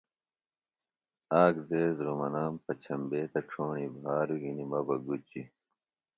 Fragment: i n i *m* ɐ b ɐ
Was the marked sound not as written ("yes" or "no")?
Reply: no